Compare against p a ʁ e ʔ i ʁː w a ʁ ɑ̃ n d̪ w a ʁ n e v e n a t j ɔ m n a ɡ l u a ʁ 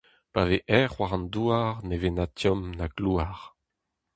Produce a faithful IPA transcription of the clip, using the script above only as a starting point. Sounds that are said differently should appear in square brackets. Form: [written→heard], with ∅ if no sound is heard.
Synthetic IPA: p a [ʁ→v] e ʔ [i→ɛ] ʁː w a ʁ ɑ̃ n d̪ [w→u] a ʁ n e v e n a t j ɔ m n a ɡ l u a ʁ